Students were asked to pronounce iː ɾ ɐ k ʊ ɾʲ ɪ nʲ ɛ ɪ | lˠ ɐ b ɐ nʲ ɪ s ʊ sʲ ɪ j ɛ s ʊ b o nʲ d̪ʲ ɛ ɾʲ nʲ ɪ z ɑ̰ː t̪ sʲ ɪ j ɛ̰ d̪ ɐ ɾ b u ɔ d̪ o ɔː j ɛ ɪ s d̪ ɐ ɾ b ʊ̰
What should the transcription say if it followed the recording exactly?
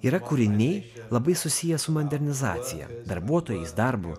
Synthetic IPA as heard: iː ɾ ɐ k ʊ ɾʲ ɪ nʲ ɛ ɪ | lˠ ɐ b ɐ ɪ s ʊ sʲ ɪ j ɛ s ʊ m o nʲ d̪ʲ ɛ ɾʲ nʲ ɪ z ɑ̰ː t̪ sʲ ɪ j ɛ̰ d̪ ɐ ɾ b u ɔ t̪ o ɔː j ɛ ɪ s d̪ ɐ ɾ b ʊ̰